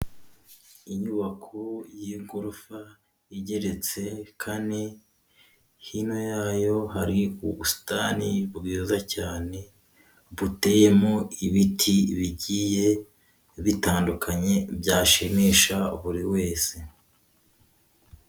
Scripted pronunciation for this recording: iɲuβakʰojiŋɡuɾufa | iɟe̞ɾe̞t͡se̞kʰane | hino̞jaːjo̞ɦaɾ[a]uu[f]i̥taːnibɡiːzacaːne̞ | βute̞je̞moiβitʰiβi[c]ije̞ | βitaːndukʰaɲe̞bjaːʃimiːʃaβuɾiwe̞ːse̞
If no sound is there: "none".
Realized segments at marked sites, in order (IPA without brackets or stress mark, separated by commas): i, s, ɟ